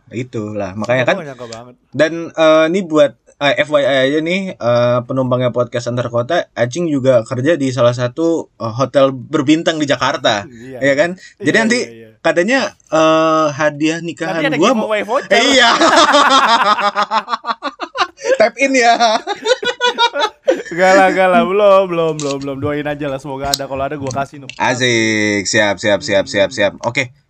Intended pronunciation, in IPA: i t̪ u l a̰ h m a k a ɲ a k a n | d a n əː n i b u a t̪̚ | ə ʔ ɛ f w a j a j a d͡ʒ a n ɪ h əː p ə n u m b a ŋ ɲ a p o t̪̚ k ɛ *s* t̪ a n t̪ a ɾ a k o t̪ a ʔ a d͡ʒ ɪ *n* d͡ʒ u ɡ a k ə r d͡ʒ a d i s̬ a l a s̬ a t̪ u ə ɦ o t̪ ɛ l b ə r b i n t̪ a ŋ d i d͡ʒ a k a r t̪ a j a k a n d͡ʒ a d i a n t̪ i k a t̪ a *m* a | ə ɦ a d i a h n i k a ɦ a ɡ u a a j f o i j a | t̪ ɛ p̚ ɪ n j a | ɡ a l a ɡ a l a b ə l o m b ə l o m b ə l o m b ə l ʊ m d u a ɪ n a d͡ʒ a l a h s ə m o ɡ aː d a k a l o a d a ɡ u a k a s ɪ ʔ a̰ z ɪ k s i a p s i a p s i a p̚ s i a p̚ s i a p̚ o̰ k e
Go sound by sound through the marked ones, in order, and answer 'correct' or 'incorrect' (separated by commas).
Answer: correct, incorrect, incorrect